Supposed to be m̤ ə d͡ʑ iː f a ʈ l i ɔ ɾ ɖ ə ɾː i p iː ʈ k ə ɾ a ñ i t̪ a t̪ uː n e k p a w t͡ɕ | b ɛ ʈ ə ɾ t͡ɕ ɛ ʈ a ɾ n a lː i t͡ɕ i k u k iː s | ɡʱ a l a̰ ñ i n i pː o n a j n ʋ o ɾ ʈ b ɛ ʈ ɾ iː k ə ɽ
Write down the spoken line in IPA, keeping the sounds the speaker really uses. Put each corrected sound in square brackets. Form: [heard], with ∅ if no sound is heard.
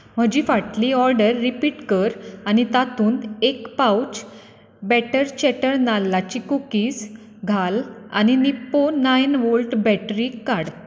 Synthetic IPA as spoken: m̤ ə d͡ʑ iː f a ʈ l i ɔ ɾ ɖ ə ɾː i p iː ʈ k ə ɾ a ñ i t̪ a t̪ uː n e k p a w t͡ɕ | b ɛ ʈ ə ɾ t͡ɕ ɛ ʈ [ə] ɾ n a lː [a] t͡ɕ i k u k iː s | ɡʱ a l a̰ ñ i n i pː o n a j n ʋ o [l] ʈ b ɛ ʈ ɾ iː k [a] ɽ

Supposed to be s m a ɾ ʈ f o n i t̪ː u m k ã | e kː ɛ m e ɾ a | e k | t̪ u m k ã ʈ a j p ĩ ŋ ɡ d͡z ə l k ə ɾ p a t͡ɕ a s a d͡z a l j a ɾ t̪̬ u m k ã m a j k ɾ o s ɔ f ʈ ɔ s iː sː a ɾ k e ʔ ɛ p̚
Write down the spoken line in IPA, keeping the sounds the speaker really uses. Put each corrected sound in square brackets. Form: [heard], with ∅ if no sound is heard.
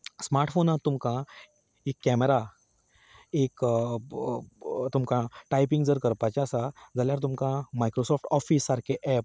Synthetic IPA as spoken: s m a ɾ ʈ f o n [a] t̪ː u m k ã | e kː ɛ m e ɾ a | e k | t̪ u m k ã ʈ a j p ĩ ŋ ɡ d͡z ə [ɾ] k ə ɾ p a t͡ɕ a s a d͡z a l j a ɾ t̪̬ u m k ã m a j k ɾ o s ɔ f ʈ ɔ [f] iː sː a ɾ k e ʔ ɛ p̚

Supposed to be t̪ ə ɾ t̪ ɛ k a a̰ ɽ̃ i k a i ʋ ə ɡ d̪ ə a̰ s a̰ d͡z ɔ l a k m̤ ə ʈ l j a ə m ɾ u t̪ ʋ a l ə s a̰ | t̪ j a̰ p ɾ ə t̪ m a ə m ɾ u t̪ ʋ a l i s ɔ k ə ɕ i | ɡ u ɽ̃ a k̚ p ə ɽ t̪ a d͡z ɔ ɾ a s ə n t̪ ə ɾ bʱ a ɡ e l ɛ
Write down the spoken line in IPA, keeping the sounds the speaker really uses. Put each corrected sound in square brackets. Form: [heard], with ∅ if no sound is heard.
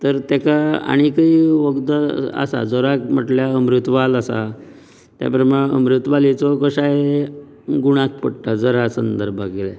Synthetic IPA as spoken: t̪ ə ɾ t̪ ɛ k a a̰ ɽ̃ i k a i ʋ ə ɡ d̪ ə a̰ s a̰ d͡z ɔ [ɾ] a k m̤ ə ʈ l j a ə m ɾ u t̪ ʋ a l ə s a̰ | t̪ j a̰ p ɾ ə [∅] m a ə m ɾ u t̪ ʋ a l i [t͡s] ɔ k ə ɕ [a] | ɡ u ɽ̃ a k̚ p ə ɽ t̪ a d͡z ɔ ɾ a s ə n [d̪] ə ɾ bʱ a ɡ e l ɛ

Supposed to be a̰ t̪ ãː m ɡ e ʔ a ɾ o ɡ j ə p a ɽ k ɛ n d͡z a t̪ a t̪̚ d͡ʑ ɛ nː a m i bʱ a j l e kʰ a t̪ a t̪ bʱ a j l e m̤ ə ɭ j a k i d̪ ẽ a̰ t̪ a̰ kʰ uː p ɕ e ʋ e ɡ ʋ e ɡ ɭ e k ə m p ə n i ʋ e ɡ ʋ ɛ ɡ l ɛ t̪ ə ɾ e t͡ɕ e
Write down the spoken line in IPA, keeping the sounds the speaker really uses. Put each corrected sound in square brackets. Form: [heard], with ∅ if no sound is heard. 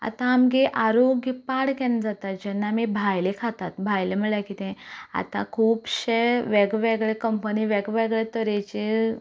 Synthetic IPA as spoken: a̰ t̪ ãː m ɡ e ʔ a ɾ o ɡ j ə p a ɽ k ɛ n d͡z a t̪ a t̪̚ d͡ʑ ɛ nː a m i bʱ a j l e kʰ a t̪ a t̪ bʱ a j l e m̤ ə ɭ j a k i [t̪] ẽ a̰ t̪ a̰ kʰ uː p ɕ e ʋ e ɡ ʋ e ɡ ɭ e k ə m p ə n i ʋ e ɡ ʋ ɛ ɡ [ɭ] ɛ t̪ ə ɾ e t͡ɕ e

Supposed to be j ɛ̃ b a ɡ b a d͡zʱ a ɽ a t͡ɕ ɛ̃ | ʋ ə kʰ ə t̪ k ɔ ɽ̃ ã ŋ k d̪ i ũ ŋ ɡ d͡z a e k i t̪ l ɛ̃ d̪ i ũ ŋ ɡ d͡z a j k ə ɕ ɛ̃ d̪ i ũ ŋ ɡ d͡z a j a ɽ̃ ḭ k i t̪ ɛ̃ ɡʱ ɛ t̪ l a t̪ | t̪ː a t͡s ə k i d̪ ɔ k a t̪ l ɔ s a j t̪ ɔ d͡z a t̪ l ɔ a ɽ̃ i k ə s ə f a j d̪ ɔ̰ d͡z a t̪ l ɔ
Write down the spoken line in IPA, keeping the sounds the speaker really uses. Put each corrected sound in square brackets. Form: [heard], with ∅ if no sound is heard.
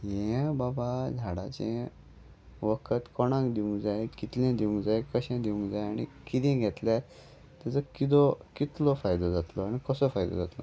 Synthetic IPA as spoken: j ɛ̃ b a [∅] b a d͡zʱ a ɽ a t͡ɕ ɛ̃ | ʋ ə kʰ ə t̪ k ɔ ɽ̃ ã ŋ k d̪ i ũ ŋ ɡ d͡z a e k i t̪ l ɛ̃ d̪ i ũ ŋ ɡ d͡z a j k ə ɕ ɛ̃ d̪ i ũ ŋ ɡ d͡z a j a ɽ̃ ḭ k i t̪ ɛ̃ ɡʱ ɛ t̪ l a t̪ | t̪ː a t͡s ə k i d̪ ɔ k [i] t̪ l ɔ [f] a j [d̪] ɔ d͡z a t̪ l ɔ a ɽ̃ i k ə s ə f a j d̪ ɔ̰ d͡z a t̪ l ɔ

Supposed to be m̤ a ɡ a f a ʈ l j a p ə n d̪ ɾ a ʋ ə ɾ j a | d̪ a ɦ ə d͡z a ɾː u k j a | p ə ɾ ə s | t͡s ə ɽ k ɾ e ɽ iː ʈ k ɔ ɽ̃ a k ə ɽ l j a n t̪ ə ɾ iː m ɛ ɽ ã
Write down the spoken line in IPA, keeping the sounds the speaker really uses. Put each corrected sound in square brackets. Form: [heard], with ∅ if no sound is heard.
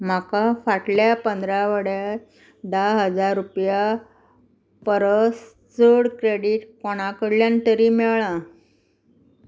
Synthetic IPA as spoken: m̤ a [k] a f a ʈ l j a p ə n d̪ ɾ a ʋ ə [ɽ] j a | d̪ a ɦ ə d͡z a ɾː u [p] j a | p ə ɾ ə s | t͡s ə ɽ k ɾ e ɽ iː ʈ k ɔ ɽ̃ a k ə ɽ l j a n t̪ ə ɾ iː m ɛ [ɭ] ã

